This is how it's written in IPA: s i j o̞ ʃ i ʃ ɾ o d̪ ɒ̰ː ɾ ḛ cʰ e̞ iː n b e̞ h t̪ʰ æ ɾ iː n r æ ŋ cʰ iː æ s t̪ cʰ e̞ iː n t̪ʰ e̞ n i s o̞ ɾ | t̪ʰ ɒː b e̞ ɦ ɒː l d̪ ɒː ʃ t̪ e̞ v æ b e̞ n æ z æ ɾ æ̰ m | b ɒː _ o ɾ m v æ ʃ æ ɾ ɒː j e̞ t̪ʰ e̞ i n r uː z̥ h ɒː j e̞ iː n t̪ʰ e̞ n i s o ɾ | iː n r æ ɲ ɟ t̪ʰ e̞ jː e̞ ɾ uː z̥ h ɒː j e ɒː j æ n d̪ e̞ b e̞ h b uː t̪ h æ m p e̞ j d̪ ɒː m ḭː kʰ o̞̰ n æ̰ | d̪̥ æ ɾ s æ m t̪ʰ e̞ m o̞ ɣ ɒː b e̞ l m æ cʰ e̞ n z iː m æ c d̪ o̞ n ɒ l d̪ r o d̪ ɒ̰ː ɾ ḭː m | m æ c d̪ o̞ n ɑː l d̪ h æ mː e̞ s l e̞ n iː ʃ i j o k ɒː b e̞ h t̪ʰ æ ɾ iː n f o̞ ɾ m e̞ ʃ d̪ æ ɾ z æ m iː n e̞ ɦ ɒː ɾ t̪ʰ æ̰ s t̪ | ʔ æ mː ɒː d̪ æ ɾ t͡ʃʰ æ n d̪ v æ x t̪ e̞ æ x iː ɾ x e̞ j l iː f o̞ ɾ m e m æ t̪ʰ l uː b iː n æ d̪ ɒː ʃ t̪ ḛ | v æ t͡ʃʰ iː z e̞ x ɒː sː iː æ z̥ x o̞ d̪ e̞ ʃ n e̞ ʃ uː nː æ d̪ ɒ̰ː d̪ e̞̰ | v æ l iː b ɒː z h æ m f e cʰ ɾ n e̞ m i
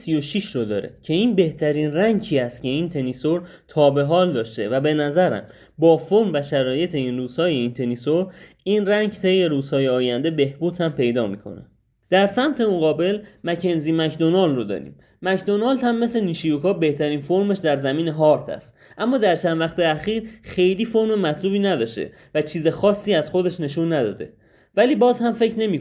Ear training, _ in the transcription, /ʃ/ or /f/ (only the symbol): f